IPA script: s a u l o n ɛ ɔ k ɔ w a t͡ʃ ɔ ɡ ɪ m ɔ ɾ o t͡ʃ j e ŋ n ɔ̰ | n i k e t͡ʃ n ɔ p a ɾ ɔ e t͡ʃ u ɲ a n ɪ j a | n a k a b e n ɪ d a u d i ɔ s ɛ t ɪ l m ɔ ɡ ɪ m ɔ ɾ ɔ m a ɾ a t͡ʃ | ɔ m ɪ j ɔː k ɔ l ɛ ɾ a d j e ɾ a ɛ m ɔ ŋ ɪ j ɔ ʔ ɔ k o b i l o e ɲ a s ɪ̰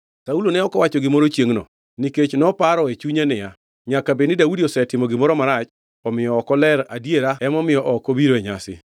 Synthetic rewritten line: s a u l o n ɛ ɔ k ɔ w a t͡ʃ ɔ ɡ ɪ m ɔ ɾ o t͡ʃ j e ŋ n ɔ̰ | n i k e t͡ʃ n ɔ p a ɾ ɔ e t͡ʃ u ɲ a n ɪ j a | ɲ a k a b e n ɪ d a u d i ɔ s ɛ t ɪ m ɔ ɡ ɪ m ɔ ɾ ɔ m a ɾ a t͡ʃ | ɔ m ɪ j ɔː k ɔ l ɛ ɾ a d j e ɾ a ɛ m ɔ m ɪ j ɔ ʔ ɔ k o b i ɾ o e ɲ a s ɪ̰